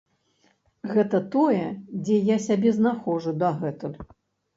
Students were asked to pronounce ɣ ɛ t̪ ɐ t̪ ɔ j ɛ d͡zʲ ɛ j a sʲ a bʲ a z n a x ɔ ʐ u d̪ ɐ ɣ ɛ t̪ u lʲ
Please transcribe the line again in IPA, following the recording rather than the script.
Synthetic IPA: ɣ ɛ t̪ ɐ t̪ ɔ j ɛ d͡zʲ ɛ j a sʲ a bʲ ɛ z n a x ɔ ʐ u d̪ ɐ ɣ ɛ t̪ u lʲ

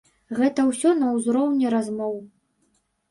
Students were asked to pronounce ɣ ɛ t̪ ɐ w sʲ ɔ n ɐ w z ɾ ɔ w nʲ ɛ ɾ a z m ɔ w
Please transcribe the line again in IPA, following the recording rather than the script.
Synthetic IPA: ɣ ɛ t̪ ɐ w sʲ ɔ n ɐ w z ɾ ɔ w nʲ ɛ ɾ a z m ɔ w

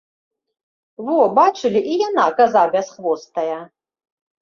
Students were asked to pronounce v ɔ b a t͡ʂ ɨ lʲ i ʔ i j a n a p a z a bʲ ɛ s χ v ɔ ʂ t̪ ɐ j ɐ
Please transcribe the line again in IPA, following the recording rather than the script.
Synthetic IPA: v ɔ b a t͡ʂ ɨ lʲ i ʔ i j a n a k a z a bʲ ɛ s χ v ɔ s t̪ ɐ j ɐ

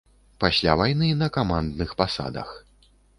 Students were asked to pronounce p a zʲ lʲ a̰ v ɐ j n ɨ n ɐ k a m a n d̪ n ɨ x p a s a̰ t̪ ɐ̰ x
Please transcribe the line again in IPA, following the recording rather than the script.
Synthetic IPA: p a sʲ lʲ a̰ v a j n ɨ n ɐ k a m a n d̪ n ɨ x p a s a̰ d̪ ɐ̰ x

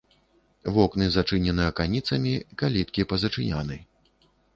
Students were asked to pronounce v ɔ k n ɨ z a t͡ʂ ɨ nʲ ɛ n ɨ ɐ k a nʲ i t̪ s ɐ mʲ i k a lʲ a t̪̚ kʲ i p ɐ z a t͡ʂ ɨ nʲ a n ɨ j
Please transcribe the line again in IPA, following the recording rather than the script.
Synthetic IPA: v ɔ k n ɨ z a t͡ʂ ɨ nʲ ɛ n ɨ ɐ k a nʲ i t̪ s ɐ mʲ i k a lʲ i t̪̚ kʲ i p ɐ z ɐ t͡ʂ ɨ nʲ a n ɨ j

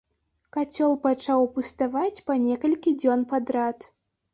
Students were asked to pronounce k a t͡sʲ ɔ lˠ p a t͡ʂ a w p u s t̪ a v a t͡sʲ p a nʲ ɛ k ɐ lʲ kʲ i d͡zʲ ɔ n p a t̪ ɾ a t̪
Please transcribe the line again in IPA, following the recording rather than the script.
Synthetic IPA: k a t͡sʲ ɔ lˠ p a t͡ʂ a w p u s t̪ a v a t͡sʲ p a nʲ ɛ k ɐ lʲ kʲ i d͡zʲ ɔ n p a d̪ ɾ a t̪

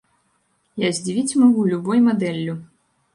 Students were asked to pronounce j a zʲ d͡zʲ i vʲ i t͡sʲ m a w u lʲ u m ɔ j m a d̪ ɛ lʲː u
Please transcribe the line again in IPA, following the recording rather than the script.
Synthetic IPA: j a zʲ d͡zʲ i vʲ i t͡sʲ m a ɣ u lʲ u b ɔ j m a d̪ ɛ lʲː u

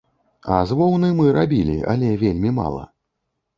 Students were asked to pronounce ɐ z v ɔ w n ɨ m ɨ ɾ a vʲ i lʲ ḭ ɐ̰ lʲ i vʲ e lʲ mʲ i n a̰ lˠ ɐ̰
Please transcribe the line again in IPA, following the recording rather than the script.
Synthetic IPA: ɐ z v ɔ w n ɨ m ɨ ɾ a bʲ i lʲ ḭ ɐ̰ lʲ ɛ vʲ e lʲ mʲ i m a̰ lˠ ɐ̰

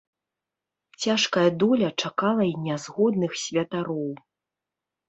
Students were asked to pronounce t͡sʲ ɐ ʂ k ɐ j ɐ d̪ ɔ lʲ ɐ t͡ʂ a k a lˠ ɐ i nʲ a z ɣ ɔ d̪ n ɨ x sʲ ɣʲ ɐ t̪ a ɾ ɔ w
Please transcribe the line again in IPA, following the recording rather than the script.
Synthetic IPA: t͡sʲ a ʂ k ɐ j ɐ d̪ ɔ lʲ ɐ t͡ʂ a k a lˠ ɐ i nʲ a z ɣ ɔ d̪ n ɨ x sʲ vʲ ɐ t̪ a ɾ ɔ w

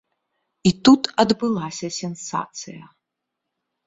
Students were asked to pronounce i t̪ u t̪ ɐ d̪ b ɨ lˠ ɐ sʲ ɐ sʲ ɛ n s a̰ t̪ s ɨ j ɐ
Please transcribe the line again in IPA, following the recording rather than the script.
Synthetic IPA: i t̪ u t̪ ɐ d̪ b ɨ lˠ a sʲ ɐ sʲ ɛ n s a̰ t̪ s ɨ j ɐ

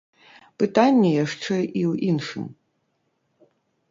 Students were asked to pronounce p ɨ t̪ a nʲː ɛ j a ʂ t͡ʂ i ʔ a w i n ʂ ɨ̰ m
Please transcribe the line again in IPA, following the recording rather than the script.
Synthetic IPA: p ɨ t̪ a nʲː ɛ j a ʂ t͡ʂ ɛ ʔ i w i n ʂ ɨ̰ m

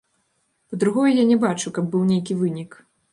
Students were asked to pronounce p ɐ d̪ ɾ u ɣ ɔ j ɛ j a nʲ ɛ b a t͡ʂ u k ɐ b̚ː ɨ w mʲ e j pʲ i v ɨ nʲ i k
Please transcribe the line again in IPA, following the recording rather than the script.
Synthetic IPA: p ɐ d̪ ɾ u ɣ ɔ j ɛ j a nʲ ɛ b a t͡ʂ u k ɐ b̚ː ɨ w nʲ e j kʲ i v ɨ nʲ i k

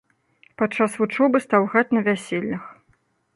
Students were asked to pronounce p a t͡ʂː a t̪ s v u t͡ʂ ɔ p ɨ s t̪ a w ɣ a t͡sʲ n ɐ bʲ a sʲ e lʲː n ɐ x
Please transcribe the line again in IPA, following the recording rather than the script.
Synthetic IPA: p a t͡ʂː a s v u t͡ʂ ɔ b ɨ s t̪ a w ɣ a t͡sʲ n ɐ vʲ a sʲ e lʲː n ɐ x

